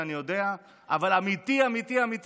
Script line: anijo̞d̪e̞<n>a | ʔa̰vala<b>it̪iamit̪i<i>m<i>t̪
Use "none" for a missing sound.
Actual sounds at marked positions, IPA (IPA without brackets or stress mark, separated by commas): none, m, a, i